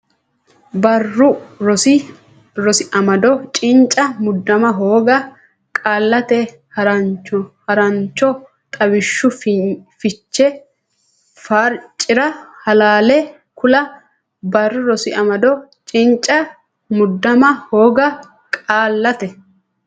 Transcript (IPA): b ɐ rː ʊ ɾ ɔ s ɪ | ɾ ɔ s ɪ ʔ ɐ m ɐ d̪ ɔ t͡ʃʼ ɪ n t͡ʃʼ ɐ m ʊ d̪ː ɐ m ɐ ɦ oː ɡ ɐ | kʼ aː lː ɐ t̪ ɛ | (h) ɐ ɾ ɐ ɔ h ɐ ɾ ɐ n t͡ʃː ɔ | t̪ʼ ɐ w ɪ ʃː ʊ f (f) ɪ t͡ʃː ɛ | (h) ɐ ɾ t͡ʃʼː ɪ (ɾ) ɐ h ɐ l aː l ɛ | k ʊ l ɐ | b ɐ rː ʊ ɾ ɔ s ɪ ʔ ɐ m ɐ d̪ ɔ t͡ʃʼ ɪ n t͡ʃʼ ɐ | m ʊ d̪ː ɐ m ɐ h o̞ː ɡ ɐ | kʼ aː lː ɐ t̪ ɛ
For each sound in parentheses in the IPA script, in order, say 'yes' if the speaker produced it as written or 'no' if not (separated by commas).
yes, yes, no, yes